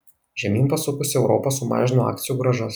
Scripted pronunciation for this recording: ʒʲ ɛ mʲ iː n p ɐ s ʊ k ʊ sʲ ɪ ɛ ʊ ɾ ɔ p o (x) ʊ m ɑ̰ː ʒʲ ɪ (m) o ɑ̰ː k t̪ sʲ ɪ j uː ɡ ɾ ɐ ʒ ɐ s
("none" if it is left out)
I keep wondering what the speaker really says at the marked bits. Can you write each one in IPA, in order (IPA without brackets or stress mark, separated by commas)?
s, n